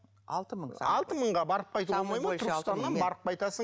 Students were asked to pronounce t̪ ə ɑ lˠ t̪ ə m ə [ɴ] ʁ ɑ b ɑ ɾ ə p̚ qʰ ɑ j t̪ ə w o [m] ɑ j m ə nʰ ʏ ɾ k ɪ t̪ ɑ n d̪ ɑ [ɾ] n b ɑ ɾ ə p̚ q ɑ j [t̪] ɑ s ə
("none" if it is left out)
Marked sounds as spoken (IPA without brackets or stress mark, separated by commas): ɴ, m, none, t̪